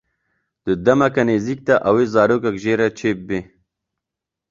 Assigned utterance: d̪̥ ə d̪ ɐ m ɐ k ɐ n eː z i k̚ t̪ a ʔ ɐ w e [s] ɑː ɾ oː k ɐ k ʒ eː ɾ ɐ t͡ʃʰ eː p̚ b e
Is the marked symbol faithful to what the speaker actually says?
no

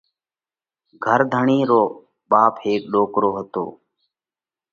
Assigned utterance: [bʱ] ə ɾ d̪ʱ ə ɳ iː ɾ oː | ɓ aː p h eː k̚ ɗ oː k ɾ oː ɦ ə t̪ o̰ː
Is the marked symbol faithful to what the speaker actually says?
no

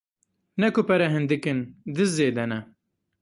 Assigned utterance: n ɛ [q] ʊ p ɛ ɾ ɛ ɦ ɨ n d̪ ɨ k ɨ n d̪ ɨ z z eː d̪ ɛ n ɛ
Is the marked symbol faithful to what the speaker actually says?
no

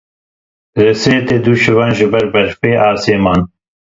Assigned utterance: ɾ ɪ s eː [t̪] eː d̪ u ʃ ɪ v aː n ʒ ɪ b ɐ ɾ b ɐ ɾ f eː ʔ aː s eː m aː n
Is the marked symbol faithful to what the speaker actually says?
yes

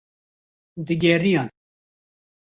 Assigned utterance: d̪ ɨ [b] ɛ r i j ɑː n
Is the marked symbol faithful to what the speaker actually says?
no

